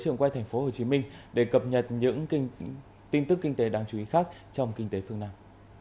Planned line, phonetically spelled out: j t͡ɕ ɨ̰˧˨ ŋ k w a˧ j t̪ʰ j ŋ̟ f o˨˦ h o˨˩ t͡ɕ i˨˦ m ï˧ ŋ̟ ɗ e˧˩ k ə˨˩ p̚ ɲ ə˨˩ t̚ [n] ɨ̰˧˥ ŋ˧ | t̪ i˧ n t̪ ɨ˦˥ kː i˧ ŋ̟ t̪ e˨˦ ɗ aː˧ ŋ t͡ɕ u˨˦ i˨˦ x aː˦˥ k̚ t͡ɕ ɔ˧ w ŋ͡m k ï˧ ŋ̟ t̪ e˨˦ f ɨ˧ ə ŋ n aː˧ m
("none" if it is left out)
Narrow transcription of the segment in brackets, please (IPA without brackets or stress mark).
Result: ɲ